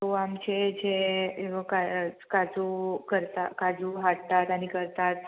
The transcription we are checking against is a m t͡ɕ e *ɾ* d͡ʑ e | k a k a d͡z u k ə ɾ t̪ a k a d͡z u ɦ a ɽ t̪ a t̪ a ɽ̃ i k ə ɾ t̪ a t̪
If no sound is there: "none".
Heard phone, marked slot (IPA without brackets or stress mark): none